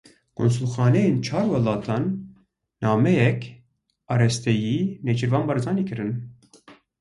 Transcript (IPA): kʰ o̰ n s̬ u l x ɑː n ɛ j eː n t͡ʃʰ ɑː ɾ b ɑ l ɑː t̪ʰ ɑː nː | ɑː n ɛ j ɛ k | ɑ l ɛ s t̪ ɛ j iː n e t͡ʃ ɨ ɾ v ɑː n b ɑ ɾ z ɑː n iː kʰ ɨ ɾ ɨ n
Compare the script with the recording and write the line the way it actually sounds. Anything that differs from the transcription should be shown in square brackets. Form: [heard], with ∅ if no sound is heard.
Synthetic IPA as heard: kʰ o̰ n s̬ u l x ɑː n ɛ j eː n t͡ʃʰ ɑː ɾ [w] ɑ l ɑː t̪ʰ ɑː nː | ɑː [m] ɛ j ɛ k | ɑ [ɾ] ɛ s t̪ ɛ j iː n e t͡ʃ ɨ ɾ v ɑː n b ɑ ɾ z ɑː n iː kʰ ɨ ɾ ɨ n